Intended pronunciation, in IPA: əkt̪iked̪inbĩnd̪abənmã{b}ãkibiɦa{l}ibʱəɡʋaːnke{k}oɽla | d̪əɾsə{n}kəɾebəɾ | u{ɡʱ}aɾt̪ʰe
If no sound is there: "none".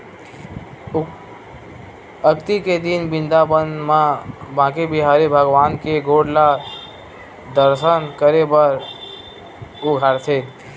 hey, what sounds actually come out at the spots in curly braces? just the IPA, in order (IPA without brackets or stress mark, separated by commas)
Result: b, ɾ, ɡ, n, ɡʱ